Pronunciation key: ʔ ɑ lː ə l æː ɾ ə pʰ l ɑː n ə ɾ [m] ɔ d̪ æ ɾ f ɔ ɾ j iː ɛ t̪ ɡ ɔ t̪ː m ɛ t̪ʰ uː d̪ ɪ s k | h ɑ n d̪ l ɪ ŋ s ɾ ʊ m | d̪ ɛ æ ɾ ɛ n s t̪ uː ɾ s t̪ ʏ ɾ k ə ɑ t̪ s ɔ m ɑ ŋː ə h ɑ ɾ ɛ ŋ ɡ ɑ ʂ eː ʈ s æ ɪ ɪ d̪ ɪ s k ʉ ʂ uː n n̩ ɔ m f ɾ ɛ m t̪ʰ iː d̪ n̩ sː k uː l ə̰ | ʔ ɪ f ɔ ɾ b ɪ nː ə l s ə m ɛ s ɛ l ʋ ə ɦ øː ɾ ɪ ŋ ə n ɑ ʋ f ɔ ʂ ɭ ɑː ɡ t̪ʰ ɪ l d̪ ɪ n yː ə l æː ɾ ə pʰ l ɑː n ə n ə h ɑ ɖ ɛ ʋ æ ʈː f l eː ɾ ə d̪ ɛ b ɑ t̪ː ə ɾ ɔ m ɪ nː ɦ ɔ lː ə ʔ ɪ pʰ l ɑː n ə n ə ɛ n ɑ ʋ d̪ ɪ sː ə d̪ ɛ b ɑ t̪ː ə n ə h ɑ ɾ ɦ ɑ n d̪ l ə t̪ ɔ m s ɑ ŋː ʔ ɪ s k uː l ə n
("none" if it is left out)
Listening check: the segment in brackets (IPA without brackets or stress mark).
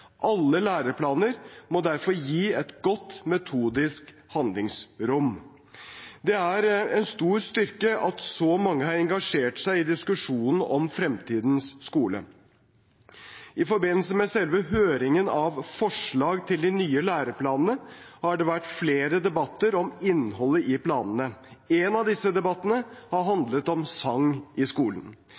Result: m